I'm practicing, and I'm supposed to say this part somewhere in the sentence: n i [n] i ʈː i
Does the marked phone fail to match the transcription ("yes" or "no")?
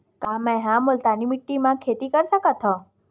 yes